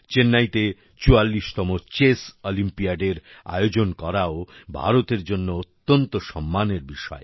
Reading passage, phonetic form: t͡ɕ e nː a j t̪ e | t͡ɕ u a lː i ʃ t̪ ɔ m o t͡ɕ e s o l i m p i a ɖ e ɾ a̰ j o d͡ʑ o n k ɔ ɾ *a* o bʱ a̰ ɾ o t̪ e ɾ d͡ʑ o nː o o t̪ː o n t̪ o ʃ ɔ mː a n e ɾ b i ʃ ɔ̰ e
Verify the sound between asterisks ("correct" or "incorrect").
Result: correct